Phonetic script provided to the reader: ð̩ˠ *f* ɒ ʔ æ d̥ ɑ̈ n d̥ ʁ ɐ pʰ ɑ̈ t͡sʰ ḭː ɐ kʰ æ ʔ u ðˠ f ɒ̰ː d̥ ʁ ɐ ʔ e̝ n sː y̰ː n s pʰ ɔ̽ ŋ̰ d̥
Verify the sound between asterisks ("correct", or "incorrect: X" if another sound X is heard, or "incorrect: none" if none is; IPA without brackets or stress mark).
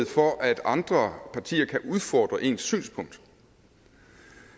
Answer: correct